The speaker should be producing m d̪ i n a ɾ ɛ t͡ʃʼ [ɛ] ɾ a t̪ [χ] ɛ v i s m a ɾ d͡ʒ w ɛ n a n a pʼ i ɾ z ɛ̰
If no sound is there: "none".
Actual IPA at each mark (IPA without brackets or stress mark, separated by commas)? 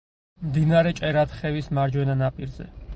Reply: ɛ, χ